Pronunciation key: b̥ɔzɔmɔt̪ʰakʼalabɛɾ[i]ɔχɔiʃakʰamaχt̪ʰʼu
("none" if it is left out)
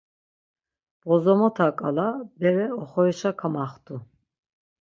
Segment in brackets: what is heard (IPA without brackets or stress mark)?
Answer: ɛ